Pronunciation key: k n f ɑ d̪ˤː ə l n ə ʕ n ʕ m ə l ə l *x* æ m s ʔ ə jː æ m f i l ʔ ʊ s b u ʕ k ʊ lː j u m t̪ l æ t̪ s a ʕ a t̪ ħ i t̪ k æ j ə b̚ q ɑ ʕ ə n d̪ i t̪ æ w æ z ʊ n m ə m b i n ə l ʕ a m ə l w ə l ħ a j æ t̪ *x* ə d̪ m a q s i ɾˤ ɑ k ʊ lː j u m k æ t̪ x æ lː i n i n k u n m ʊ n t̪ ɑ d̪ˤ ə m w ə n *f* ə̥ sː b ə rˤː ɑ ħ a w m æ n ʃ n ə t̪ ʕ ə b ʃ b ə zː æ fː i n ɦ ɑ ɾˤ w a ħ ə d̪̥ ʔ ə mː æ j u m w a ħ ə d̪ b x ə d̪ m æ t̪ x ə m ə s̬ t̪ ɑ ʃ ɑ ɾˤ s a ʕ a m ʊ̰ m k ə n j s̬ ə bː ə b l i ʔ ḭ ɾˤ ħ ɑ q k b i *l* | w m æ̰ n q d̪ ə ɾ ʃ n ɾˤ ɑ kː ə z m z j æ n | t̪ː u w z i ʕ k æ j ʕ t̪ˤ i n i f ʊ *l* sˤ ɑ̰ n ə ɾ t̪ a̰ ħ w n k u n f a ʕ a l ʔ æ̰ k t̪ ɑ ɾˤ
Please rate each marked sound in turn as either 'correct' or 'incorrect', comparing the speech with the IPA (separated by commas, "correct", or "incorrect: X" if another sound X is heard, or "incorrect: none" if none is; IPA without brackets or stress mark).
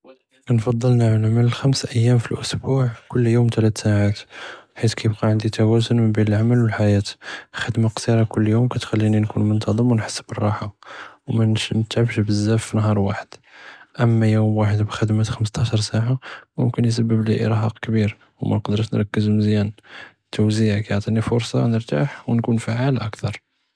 correct, correct, incorrect: ħ, incorrect: ɾ, incorrect: ɾ